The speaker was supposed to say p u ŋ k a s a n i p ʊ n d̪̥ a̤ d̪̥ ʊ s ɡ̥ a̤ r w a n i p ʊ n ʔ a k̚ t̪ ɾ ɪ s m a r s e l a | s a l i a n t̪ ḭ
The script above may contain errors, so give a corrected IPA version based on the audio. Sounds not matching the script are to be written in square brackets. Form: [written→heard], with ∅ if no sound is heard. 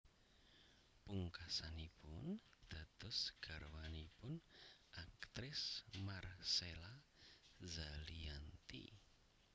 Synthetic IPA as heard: p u ŋ k a s a n i p ʊ n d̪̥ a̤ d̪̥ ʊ s ɡ̥ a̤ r w a n i p ʊ n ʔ a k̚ t̪ ɾ ɪ s m a r s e l a | [s→z] a l i a n t̪ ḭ